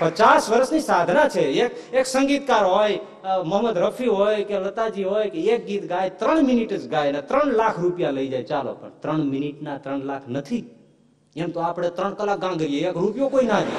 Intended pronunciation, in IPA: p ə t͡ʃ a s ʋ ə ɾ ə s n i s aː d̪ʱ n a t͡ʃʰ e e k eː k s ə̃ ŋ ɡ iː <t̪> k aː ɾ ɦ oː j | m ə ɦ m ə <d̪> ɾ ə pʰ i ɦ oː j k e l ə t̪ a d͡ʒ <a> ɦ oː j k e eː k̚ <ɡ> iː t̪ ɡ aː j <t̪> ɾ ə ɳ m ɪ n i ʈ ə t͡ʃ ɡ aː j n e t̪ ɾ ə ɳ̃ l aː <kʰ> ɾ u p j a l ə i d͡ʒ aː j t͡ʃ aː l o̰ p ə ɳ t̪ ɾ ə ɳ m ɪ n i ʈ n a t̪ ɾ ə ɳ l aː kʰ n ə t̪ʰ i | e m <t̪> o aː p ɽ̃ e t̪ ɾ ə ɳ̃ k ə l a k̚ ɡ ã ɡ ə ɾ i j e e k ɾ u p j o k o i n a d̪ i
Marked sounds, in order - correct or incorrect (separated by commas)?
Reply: correct, correct, incorrect, correct, correct, correct, correct